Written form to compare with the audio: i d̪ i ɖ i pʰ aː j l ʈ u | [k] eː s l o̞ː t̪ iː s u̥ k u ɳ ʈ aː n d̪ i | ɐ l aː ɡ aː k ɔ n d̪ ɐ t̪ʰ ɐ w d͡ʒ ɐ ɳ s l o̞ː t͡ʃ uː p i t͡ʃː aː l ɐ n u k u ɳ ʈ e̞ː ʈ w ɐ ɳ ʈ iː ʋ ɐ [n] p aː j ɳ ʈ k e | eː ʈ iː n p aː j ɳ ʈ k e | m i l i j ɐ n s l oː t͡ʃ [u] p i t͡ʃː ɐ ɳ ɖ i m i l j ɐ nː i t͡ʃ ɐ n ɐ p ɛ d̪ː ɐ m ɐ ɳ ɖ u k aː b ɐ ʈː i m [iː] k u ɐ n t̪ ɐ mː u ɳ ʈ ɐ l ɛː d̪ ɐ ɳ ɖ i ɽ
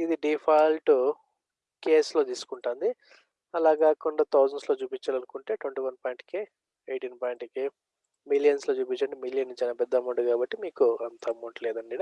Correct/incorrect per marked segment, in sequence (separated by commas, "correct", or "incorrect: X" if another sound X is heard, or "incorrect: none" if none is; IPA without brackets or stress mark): correct, correct, incorrect: uː, correct